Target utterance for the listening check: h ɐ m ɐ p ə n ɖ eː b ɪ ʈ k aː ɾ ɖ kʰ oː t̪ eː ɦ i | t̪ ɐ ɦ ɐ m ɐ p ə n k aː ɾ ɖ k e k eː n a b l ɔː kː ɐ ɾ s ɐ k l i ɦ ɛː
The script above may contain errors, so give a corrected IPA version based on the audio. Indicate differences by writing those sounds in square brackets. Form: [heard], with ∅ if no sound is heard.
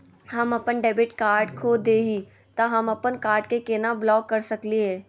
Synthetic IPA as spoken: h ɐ m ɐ p ə n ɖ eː b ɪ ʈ k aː ɾ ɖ kʰ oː [d̪] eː ɦ i | t̪ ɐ ɦ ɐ m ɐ p ə n k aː ɾ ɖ k e k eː n a b l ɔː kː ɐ ɾ s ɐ k l i ɦ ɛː